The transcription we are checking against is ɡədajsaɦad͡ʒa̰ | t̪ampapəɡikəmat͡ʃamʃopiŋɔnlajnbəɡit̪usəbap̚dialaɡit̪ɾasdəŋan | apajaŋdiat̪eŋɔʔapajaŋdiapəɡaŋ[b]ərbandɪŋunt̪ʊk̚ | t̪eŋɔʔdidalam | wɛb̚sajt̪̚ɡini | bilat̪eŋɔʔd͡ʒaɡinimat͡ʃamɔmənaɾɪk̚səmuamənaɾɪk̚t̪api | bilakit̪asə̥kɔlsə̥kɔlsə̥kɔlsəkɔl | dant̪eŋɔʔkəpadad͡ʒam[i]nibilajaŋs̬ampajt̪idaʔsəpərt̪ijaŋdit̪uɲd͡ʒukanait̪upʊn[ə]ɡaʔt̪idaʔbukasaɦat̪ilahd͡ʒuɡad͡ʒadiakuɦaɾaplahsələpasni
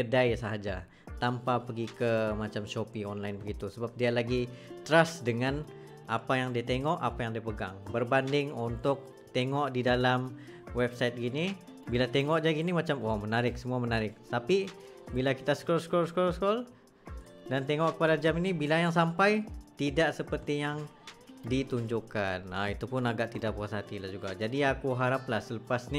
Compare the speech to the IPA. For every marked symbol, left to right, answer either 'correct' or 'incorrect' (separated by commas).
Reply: correct, correct, incorrect